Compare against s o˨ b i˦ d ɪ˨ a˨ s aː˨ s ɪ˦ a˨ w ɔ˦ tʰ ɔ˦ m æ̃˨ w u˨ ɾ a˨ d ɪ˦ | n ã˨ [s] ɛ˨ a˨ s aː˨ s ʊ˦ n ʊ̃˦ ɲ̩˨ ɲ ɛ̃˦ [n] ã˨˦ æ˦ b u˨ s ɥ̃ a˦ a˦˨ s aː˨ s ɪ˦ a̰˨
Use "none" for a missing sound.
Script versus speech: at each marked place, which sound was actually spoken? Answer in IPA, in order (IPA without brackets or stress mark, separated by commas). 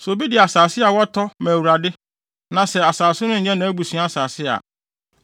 s, n